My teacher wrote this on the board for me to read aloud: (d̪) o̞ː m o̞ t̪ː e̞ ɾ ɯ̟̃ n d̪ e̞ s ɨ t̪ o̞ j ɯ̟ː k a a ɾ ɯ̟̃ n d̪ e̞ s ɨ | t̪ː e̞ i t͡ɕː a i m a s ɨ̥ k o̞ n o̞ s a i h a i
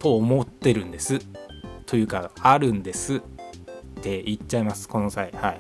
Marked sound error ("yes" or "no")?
yes